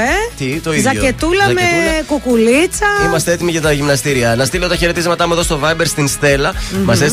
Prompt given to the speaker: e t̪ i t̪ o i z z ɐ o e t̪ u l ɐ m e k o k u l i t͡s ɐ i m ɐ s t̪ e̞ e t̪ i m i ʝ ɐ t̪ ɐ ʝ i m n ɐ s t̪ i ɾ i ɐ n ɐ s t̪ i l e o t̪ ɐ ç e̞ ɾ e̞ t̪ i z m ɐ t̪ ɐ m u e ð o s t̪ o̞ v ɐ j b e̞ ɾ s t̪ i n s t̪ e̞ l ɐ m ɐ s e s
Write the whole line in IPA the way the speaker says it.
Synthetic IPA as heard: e t̪ i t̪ o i z z ɐ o e t̪ u l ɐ m e k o k u l i t͡s ɐ i m ɐ s t̪ e̞ e t̪ i m i ʝ ɐ t̪ ɐ ʝ i m n ɐ s t̪ i ɾ i ɐ n ɐ s t̪ i l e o t̪ ɐ ç e̞ ɾ e̞ t̪ i z m ɐ t̪ ɐ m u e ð o s t̪ o̞ v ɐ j b e̞ ɾ s t̪ i n s t̪ e̞ l ɐ m ɐ s e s